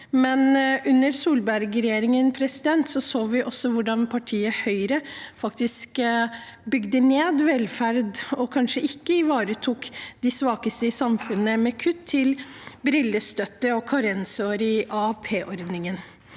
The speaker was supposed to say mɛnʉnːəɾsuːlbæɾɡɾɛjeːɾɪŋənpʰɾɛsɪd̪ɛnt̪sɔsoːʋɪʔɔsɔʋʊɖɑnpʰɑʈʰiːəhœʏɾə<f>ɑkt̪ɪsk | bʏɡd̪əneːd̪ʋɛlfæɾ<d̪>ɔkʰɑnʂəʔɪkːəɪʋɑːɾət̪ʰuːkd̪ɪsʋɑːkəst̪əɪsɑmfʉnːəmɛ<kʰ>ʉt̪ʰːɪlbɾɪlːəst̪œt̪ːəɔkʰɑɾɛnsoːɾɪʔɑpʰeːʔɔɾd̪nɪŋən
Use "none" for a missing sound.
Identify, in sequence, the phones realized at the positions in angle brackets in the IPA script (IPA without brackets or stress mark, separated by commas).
f, d̪, kʰ